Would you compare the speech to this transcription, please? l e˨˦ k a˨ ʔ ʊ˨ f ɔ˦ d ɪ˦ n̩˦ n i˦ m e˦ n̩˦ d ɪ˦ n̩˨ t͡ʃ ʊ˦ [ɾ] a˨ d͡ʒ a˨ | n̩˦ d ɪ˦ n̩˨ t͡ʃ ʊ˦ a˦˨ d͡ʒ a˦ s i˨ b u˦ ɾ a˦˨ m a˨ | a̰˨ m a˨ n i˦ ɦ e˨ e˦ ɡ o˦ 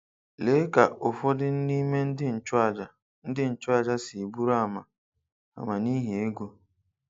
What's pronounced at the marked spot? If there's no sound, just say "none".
none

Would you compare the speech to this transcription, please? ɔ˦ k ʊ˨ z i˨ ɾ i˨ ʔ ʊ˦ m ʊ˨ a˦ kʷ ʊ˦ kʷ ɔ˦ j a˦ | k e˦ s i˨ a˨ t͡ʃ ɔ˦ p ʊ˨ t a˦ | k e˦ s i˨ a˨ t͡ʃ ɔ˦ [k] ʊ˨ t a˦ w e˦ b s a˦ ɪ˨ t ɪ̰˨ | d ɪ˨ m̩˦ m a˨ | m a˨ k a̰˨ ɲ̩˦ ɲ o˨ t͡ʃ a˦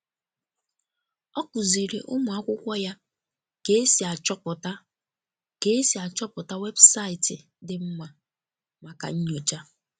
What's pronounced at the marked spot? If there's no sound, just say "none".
p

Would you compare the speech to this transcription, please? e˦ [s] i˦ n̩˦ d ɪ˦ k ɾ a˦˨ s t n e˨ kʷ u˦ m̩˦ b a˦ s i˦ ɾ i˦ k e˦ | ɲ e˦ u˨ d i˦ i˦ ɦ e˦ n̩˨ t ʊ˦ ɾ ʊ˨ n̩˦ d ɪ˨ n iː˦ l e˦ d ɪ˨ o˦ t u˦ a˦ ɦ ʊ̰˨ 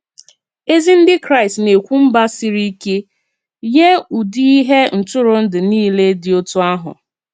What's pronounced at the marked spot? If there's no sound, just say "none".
z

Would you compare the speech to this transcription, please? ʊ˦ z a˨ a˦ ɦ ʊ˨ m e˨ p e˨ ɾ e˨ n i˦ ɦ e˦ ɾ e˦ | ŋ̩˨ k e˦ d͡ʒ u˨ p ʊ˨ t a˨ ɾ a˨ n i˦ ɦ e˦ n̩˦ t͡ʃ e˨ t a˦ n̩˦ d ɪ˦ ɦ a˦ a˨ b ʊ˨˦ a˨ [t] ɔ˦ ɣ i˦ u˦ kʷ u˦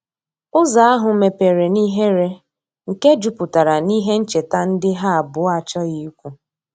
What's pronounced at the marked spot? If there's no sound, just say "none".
t͡ʃ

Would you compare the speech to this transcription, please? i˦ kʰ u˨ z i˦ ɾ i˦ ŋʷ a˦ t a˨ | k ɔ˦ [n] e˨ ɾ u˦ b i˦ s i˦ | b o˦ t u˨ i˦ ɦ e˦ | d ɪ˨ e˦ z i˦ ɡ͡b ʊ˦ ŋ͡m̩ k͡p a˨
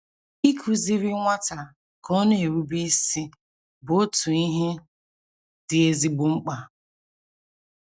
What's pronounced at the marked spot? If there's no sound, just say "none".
n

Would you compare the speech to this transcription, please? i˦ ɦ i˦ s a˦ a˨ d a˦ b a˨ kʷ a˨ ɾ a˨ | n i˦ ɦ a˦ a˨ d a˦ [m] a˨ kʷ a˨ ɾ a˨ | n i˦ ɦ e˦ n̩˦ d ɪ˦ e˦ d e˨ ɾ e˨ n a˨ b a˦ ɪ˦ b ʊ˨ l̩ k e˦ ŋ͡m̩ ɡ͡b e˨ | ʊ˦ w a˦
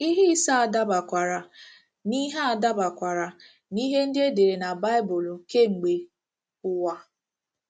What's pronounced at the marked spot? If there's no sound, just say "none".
b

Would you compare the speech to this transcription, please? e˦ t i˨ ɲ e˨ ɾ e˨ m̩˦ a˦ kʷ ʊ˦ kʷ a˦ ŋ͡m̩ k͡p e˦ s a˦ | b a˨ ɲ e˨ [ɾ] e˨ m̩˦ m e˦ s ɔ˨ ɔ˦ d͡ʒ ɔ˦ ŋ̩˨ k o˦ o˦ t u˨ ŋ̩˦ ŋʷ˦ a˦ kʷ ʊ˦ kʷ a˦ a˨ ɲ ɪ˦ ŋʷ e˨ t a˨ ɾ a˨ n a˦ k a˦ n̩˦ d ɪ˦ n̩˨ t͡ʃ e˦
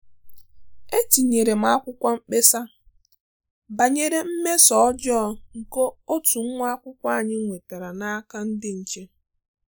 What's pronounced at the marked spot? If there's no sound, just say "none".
ɾ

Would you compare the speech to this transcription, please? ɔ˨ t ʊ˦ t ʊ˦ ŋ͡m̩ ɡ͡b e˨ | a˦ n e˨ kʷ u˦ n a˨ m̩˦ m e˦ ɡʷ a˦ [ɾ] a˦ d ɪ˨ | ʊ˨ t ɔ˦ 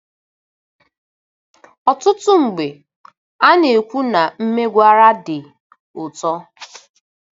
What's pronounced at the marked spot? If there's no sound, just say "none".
ɾ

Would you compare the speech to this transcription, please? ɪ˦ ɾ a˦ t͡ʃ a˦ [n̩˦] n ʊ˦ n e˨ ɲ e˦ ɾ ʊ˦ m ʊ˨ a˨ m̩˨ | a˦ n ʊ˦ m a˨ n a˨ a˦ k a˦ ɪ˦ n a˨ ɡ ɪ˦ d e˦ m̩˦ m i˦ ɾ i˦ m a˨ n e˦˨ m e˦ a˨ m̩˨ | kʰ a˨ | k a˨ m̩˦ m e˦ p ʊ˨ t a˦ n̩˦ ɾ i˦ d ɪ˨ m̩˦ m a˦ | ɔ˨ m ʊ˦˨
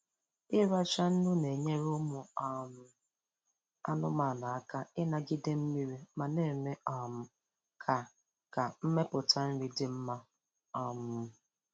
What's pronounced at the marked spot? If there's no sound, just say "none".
n̩˦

